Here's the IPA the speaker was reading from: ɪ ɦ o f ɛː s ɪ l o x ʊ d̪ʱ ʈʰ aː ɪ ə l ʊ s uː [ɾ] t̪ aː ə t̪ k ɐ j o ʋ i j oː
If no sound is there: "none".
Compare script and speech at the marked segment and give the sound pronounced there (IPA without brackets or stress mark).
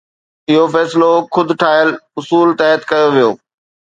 l